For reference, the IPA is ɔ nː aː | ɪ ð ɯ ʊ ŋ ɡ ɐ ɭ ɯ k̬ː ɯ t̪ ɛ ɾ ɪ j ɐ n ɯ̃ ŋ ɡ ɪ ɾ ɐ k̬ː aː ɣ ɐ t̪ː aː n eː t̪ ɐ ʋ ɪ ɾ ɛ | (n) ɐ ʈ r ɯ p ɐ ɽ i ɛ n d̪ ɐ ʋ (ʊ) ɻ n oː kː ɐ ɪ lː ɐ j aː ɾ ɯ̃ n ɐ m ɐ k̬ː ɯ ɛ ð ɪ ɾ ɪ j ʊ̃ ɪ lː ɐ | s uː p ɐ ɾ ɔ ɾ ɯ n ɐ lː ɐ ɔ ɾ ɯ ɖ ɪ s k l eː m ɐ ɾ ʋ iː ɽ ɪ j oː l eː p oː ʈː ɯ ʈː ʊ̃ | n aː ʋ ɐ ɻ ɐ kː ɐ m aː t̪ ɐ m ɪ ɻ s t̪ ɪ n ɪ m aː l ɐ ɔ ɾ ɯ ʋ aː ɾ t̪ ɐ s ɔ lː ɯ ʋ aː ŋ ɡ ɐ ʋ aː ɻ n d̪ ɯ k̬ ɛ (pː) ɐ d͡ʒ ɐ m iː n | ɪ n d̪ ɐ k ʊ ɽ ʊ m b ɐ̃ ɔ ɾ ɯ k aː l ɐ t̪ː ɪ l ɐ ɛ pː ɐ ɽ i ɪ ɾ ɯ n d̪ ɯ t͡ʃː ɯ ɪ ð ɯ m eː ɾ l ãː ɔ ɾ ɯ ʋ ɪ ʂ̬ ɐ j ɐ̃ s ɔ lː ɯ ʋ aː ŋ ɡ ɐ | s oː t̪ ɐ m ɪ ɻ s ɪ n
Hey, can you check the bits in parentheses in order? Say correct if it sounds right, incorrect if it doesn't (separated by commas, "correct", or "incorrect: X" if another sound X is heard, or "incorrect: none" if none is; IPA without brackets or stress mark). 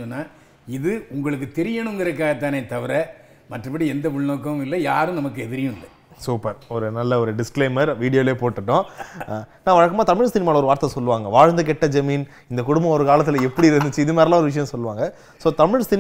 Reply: incorrect: m, correct, incorrect: ʈː